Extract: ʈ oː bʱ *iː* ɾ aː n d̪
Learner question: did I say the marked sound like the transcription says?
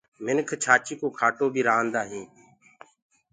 yes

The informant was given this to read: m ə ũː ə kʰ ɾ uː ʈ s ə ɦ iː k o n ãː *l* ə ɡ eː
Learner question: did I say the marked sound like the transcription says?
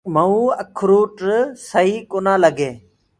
yes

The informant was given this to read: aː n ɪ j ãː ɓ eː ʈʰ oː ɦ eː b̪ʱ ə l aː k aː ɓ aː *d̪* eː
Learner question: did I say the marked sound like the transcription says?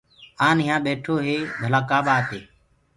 no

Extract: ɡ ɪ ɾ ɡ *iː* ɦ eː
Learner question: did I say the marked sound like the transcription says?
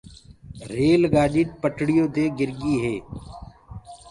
yes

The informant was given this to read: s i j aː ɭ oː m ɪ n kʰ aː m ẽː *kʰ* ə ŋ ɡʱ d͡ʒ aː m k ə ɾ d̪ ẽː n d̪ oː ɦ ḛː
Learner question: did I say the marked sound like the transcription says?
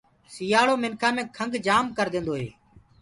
yes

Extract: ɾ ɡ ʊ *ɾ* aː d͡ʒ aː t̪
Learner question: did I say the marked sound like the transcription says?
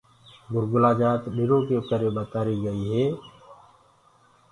no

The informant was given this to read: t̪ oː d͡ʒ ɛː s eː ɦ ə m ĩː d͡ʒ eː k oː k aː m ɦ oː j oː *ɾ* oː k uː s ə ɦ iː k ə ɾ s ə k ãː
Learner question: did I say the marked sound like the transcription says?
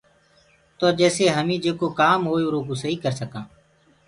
yes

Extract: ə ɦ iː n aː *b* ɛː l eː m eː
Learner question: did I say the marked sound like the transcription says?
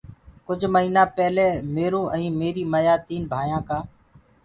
no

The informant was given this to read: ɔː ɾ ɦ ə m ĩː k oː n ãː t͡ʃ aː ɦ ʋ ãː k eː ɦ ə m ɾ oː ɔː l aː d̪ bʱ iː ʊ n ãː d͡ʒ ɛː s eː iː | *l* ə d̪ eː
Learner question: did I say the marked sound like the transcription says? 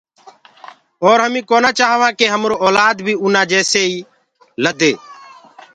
yes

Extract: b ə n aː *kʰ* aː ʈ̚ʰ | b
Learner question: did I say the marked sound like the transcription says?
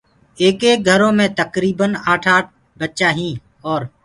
no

